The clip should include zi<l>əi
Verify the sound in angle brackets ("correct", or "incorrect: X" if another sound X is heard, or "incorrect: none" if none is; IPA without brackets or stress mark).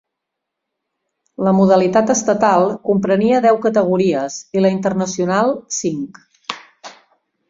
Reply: correct